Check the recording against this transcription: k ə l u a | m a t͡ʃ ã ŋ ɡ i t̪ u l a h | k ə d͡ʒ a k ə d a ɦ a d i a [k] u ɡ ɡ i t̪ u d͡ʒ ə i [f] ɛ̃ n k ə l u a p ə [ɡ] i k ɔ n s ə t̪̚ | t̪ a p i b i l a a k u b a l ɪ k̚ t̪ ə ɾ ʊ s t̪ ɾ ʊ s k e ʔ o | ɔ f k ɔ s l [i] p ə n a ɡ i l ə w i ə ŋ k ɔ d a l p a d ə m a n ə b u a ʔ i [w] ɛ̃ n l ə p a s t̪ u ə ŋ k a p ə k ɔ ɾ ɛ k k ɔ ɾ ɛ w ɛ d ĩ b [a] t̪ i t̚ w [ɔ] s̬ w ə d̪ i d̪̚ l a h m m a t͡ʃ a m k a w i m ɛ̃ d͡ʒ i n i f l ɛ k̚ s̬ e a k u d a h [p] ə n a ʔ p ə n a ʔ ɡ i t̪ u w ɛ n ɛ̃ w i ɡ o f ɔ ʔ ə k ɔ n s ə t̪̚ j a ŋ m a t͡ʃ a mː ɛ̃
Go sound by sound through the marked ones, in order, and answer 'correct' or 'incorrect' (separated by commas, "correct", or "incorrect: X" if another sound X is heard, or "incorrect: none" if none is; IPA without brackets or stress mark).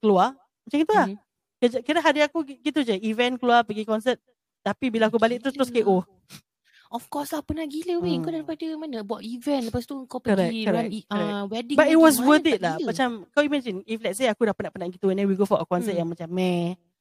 correct, incorrect: v, correct, incorrect: a, incorrect: v, correct, correct, correct